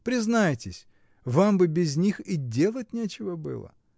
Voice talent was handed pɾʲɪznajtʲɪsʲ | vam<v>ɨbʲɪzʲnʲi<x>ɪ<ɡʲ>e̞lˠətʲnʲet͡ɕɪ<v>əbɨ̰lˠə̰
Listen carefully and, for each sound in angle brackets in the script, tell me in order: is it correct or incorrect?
incorrect: b, correct, incorrect: dʲ, correct

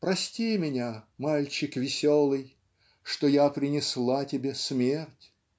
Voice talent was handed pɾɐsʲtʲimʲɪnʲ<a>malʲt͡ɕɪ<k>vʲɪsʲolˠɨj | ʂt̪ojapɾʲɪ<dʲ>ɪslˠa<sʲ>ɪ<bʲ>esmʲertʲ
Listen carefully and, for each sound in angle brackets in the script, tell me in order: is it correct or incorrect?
correct, correct, incorrect: nʲ, incorrect: tʲ, correct

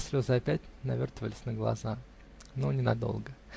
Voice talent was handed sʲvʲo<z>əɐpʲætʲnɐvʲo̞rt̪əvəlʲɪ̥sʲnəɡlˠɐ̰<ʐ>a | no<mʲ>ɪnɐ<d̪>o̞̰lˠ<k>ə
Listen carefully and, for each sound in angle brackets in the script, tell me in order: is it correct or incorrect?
correct, incorrect: z, incorrect: nʲ, correct, incorrect: ɡ

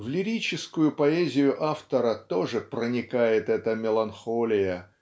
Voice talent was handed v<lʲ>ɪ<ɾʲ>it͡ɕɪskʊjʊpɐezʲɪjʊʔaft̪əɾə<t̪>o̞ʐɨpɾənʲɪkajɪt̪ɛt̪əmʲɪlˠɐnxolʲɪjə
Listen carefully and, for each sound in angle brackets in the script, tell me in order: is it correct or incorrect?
correct, correct, correct

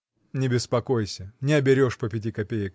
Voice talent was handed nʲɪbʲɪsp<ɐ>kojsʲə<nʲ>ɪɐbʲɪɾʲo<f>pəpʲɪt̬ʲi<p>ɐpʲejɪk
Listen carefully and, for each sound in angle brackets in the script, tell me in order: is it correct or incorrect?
correct, correct, incorrect: ʂ, incorrect: k

